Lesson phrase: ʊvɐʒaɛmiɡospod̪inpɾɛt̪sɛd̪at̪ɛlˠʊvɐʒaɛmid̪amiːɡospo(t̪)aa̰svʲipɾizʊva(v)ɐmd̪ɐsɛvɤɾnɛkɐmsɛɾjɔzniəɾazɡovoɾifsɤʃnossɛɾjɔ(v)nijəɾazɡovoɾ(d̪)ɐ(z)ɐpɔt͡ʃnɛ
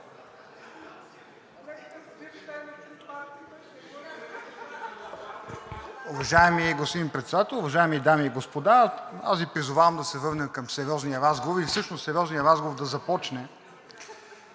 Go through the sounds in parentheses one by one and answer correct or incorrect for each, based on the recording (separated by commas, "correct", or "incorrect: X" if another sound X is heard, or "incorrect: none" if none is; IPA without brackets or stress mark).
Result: incorrect: d̪, correct, incorrect: z, correct, correct